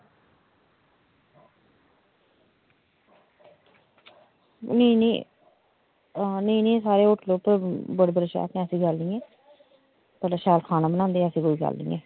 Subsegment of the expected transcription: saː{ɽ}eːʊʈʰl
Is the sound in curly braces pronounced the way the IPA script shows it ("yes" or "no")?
no